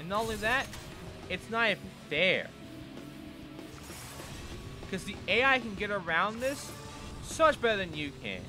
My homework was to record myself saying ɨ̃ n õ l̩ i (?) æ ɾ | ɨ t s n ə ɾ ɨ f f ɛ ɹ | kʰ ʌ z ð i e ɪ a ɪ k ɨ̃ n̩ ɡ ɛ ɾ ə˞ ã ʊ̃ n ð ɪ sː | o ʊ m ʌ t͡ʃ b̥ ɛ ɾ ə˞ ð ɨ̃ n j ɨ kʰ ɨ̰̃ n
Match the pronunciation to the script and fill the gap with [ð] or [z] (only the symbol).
ð